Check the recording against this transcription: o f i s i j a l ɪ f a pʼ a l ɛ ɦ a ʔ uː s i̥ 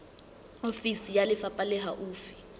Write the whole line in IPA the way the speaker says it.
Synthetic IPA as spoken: o f i s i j a l ɪ f a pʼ a l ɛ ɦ a ʔ uː f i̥